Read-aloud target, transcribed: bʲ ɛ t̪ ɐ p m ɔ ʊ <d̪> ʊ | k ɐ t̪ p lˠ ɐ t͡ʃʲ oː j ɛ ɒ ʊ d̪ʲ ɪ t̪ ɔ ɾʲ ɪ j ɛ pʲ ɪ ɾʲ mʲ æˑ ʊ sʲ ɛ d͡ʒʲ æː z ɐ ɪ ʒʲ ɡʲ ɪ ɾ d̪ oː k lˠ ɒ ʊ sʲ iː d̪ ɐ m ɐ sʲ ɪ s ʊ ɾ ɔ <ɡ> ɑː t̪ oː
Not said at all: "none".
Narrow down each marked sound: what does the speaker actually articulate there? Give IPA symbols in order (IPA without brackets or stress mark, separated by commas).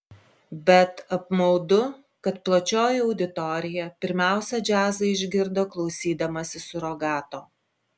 d̪, ɡ